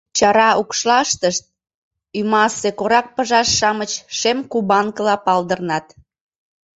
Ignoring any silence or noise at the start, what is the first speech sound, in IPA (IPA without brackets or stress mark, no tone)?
t͡ɕ